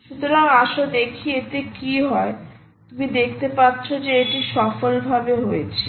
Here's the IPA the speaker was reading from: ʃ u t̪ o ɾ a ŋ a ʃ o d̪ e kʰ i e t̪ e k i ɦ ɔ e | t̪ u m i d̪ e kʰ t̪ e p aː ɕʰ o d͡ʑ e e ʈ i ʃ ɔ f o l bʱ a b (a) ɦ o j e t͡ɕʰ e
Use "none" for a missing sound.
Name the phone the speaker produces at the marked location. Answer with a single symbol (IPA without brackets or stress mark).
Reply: e